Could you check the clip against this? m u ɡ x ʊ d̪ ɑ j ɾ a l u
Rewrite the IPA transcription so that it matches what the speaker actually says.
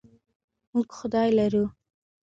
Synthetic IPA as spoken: m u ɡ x ʊ d̪ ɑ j l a ɾ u